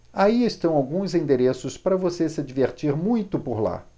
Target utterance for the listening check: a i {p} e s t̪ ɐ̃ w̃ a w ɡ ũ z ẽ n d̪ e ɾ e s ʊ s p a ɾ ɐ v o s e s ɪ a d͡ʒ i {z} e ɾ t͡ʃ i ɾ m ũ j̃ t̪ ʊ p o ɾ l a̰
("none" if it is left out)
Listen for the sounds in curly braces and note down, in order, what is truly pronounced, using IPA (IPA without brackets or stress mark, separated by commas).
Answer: none, v